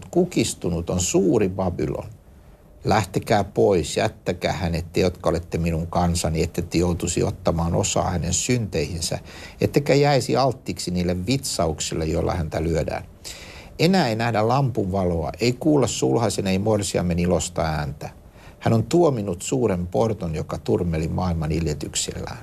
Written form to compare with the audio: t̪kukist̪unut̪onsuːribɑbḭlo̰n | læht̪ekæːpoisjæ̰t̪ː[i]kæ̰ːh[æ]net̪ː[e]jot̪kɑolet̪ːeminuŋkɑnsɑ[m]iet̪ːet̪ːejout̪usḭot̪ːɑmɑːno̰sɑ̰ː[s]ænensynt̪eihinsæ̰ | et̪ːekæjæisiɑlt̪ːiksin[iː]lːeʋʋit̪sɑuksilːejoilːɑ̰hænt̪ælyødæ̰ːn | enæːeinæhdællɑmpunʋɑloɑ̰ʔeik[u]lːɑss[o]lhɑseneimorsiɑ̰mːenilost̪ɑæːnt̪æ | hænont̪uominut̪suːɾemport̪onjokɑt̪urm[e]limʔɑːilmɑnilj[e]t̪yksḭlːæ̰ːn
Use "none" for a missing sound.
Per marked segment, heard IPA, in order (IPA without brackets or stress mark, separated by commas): æ, æ, e, n, h, iː, uː, u, e, e